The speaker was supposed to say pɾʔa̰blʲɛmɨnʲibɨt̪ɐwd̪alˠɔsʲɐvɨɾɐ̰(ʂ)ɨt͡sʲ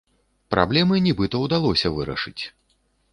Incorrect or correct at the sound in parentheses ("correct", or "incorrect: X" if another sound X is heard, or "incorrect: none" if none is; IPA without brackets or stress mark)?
correct